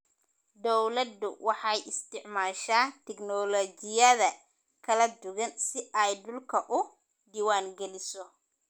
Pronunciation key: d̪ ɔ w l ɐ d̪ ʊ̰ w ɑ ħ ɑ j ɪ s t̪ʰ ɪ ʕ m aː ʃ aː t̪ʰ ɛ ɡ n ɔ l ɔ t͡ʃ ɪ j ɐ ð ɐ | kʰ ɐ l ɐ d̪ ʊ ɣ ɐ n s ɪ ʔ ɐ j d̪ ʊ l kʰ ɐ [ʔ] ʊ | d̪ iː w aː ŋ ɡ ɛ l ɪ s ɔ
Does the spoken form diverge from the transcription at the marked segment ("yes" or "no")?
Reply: no